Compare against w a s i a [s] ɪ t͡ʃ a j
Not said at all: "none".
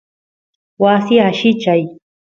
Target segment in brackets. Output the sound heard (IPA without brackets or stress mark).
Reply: ʃ